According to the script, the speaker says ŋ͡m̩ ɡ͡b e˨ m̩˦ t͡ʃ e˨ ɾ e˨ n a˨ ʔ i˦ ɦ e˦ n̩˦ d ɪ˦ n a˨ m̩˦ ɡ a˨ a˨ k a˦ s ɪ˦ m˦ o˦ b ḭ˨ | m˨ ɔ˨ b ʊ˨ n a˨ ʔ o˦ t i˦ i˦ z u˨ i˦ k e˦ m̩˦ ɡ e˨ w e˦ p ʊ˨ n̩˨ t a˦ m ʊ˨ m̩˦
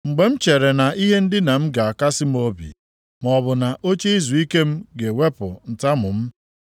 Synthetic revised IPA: ŋ͡m̩ ɡ͡b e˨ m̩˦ t͡ʃ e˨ ɾ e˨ n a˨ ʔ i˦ ɦ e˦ n̩˦ d ɪ˦ n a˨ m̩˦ ɡ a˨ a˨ k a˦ s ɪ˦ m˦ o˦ b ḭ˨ | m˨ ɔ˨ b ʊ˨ n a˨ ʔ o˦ t͡ʃ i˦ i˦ z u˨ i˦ k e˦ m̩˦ ɡ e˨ w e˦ p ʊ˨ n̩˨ t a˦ m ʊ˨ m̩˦